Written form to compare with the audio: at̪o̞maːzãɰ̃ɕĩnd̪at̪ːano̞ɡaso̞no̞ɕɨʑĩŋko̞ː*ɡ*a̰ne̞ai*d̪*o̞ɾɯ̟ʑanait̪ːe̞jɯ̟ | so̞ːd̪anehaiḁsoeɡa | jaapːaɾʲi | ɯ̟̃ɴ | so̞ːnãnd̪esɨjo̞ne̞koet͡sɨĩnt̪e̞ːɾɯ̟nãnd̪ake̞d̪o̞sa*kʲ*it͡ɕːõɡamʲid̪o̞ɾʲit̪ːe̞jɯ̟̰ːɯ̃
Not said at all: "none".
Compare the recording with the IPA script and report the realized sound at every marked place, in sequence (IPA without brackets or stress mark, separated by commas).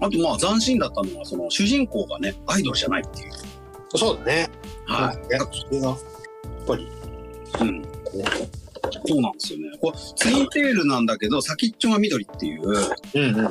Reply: ɡ, d̪, kʲ